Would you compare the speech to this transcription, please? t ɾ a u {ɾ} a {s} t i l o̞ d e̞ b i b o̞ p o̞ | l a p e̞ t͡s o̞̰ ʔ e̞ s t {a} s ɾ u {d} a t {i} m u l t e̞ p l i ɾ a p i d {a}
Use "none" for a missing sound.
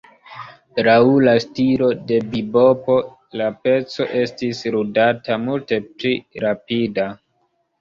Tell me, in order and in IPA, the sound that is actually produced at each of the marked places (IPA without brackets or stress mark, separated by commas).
l, s, i, d, a, a